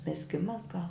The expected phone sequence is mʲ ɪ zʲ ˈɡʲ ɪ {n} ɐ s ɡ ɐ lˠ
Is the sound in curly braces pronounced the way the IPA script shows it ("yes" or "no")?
no